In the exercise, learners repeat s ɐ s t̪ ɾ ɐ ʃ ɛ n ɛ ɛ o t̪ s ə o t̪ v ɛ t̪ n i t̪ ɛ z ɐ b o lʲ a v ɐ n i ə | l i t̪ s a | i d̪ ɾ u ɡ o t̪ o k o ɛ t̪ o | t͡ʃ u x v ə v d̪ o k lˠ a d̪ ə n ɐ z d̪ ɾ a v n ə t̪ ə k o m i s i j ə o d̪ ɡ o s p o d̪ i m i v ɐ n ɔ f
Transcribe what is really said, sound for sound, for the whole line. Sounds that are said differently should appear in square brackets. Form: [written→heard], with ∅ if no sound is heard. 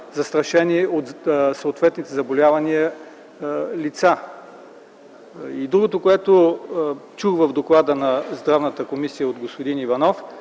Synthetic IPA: [s→z] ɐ s t̪ ɾ ɐ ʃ ɛ n [ɛ→i] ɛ o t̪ s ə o t̪ v ɛ t̪ n i t̪ ɛ z ɐ b o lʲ a v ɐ n i ə | l i t̪ s a | i d̪ ɾ u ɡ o t̪ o k o ɛ t̪ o | t͡ʃ u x v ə v d̪ o k lˠ a d̪ ə n ɐ z d̪ ɾ a v n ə t̪ ə k o m i s i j ə o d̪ ɡ o s p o d̪ i [m→n] i v ɐ n ɔ f

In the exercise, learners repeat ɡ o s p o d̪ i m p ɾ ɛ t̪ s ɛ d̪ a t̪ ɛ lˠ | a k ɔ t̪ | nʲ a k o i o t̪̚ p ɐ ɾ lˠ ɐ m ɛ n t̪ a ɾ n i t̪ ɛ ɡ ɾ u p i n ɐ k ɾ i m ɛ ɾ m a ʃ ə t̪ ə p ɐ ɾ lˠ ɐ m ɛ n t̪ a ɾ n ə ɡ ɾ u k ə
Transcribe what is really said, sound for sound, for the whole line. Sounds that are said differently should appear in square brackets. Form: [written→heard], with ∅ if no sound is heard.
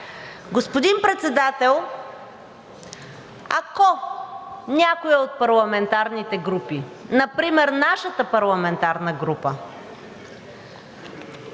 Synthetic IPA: ɡ o s p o d̪ i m p ɾ ɛ t̪ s ɛ d̪ a t̪ ɛ lˠ | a k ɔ [t̪→∅] | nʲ a k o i o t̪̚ p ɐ ɾ lˠ ɐ m ɛ n t̪ a ɾ n i t̪ ɛ ɡ ɾ u p i n ɐ [k→p] ɾ i m ɛ ɾ [m→n] a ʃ ə t̪ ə p ɐ ɾ lˠ ɐ m ɛ n t̪ a ɾ n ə ɡ ɾ u [k→p] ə

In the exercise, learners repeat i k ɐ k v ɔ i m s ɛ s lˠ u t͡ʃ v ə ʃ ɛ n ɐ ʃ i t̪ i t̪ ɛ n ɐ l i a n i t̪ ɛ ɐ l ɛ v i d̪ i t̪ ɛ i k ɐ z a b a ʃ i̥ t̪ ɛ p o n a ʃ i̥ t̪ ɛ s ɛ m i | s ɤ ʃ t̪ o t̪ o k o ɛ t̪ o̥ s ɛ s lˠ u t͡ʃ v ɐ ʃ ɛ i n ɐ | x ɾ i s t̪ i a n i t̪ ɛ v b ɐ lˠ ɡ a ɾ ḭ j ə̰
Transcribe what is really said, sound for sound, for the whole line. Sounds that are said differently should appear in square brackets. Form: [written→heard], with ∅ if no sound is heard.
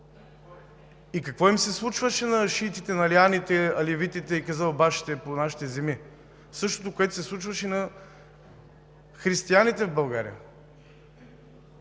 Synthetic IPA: i k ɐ k v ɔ i m s ɛ s lˠ u t͡ʃ v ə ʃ ɛ n ɐ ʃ i t̪ i t̪ ɛ n ɐ l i a n i t̪ ɛ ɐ l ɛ v i [d̪→t̪] i t̪ ɛ i k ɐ z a b a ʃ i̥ t̪ ɛ p o n a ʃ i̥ t̪ ɛ [s→z] ɛ m i | s ɤ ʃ t̪ o t̪ o k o ɛ t̪ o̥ s ɛ s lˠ u t͡ʃ v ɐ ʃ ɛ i n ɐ | x ɾ i s t̪ i a n i t̪ ɛ v b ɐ lˠ ɡ a ɾ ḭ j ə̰

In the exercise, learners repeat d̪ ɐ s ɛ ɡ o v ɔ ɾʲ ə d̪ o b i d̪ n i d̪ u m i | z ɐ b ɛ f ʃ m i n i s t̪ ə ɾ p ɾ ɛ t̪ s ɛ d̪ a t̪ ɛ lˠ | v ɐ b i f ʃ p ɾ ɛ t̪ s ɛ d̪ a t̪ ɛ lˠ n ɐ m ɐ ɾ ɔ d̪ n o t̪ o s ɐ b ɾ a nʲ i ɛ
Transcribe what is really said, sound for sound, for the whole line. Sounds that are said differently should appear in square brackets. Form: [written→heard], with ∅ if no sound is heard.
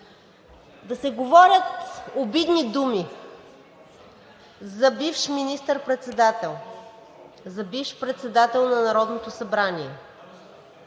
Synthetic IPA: d̪ ɐ s ɛ ɡ o v ɔ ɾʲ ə [d̪→t̪] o b i d̪ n i d̪ u m i | z ɐ b [ɛ→i] f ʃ m i n i s t̪ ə ɾ p ɾ ɛ t̪ s ɛ d̪ a t̪ ɛ lˠ | [v→z] ɐ b i f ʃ p ɾ ɛ t̪ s ɛ d̪ a t̪ ɛ lˠ n ɐ [m→n] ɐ ɾ ɔ d̪ n o t̪ o s ɐ b ɾ a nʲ i ɛ

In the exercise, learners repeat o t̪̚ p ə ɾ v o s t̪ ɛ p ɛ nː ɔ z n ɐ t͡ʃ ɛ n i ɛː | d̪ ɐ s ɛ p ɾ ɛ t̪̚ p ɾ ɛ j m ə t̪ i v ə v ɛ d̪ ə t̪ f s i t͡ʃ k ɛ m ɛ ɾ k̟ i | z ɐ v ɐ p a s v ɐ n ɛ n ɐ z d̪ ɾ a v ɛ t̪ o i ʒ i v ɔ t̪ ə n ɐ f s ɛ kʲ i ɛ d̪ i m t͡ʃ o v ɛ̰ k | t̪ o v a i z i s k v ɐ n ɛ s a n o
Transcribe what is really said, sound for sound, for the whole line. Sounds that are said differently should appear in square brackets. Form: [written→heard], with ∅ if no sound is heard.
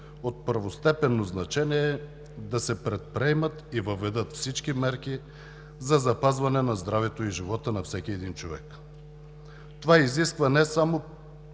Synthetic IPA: o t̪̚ p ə ɾ v o s t̪ ɛ p ɛ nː [ɔ→o] z n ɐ t͡ʃ ɛ n i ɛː | d̪ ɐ s ɛ p ɾ ɛ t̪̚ p ɾ ɛ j m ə t̪ i v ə v ɛ d̪ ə t̪ f s i t͡ʃ k [ɛ→i] m ɛ ɾ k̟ i | z ɐ [v→z] ɐ p a [s→z] v ɐ n ɛ n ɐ z d̪ ɾ a v ɛ t̪ o i ʒ i v ɔ t̪ ə n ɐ f s ɛ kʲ i ɛ d̪ i [m→n] t͡ʃ o v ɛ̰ k | t̪ o v a i z i s k v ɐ n ɛ s a [n→m] o

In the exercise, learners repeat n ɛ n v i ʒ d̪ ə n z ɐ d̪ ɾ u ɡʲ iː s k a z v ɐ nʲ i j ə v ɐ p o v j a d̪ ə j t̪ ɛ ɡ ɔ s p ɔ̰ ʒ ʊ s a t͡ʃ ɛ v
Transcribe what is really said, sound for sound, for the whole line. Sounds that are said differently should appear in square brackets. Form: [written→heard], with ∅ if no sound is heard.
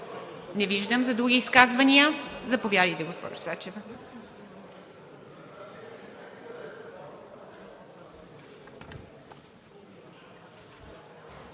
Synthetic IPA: n ɛ [n→∅] v i ʒ d̪ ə [n→m] z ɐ d̪ ɾ u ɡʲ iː s k a z v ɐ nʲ i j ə [v→z] ɐ p o v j a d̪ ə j t̪ ɛ ɡ [ɔ→o] s p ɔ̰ ʒ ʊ s a t͡ʃ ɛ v

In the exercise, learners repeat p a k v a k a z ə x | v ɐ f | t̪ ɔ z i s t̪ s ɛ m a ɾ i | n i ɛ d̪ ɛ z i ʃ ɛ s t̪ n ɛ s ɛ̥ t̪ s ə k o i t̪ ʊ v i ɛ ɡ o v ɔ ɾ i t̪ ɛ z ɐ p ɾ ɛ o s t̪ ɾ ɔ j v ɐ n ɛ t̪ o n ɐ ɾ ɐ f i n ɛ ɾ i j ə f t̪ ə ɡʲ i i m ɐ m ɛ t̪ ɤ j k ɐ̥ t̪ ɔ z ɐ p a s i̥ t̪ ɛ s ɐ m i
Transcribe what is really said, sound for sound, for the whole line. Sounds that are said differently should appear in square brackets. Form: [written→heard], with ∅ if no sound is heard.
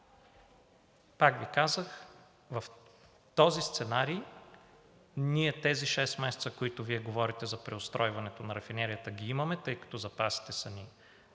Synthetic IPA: p a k v [a→i] k a z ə x | v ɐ f | t̪ ɔ z i s t̪ s ɛ [m→n] a ɾ i | n i ɛ [d̪→t̪] ɛ z i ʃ ɛ s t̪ [n→m] ɛ s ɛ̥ t̪ s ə k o i t̪ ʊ v i ɛ ɡ o v ɔ ɾ i t̪ ɛ z ɐ p ɾ ɛ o s t̪ ɾ ɔ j v ɐ n ɛ t̪ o n ɐ ɾ ɐ f i n ɛ ɾ i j ə [f→∅] t̪ ə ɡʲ i i m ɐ m ɛ t̪ ɤ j k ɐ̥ t̪ ɔ z ɐ p a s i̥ t̪ ɛ s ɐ [m→n] i

